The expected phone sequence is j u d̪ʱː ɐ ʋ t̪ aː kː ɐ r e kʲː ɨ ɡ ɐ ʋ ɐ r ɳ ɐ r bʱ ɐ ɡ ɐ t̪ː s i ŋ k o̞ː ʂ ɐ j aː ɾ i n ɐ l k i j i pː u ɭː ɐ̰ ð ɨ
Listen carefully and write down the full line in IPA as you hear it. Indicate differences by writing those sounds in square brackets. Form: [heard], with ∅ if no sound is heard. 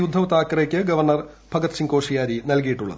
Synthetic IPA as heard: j u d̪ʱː ɐ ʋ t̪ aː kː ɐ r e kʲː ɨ ɡ ɐ ʋ ɐ r ɳ ɐ r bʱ ɐ ɡ ɐ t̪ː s i ŋ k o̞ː ʂ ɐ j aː ɾ i n ɐ l k i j i [ʈː] u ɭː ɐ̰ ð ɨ